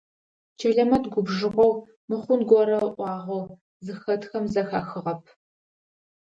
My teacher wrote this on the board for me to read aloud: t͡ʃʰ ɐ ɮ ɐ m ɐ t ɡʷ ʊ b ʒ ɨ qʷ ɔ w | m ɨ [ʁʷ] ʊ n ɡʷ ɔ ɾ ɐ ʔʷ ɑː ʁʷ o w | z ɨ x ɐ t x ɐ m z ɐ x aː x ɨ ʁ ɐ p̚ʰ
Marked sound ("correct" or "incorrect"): incorrect